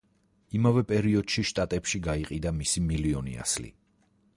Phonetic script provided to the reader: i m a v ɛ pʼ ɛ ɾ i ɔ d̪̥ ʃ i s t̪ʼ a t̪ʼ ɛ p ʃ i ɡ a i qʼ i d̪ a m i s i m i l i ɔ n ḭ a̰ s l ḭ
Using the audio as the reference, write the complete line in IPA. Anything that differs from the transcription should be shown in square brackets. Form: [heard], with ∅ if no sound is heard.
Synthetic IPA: i m a v ɛ pʼ ɛ ɾ i ɔ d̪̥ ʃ i [ʃ] t̪ʼ a t̪ʼ ɛ p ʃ i ɡ a i qʼ i d̪ a m i s i m i l i ɔ n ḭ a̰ s l ḭ